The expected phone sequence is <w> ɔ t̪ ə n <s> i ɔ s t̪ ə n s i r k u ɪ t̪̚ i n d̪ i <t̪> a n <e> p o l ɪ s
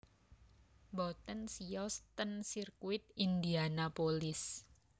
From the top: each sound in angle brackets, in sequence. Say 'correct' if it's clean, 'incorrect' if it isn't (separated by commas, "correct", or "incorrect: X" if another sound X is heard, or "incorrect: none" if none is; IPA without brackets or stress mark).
incorrect: b, correct, incorrect: none, incorrect: a